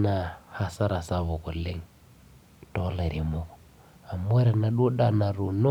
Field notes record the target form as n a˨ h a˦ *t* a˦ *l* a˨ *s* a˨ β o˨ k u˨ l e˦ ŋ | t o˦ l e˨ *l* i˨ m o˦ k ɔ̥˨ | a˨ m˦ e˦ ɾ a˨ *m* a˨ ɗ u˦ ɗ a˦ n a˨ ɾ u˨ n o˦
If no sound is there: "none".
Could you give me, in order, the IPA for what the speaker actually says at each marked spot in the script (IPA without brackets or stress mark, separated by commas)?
s, ɾ, s, ɾ, n